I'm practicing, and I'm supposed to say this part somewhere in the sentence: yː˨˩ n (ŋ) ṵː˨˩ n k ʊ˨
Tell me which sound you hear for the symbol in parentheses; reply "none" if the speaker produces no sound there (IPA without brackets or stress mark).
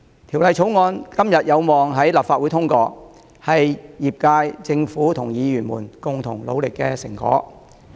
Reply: m